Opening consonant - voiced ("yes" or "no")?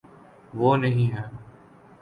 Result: yes